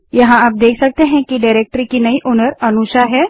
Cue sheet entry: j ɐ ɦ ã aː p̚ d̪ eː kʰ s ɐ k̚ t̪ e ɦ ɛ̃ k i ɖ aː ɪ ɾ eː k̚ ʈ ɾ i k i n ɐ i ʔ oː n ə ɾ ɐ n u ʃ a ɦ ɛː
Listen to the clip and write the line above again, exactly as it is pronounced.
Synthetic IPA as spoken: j ɐ ɦ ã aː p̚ d̪ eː kʰ s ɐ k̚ t̪ e ɦ ɛ̃ k i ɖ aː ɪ ɾ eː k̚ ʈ ɾ i k i n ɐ i ʔ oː n ə ɾ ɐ n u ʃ a ɦ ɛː